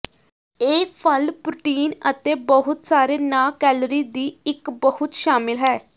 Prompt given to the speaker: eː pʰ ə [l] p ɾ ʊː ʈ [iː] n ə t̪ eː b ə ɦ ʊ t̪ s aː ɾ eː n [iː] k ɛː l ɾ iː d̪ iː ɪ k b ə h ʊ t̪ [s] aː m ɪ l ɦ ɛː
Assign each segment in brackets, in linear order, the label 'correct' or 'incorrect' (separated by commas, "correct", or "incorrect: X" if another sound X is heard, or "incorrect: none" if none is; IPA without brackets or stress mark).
correct, correct, incorrect: aː, incorrect: ʃ